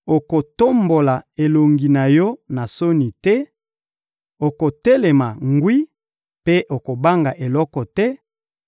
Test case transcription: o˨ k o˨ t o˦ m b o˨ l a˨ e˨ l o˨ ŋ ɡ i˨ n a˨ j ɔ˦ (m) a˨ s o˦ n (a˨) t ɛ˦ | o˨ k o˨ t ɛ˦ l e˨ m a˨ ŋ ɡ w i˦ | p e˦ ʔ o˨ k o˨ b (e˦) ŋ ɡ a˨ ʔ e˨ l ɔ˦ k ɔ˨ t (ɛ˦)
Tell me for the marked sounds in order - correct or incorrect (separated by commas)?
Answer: incorrect, incorrect, incorrect, correct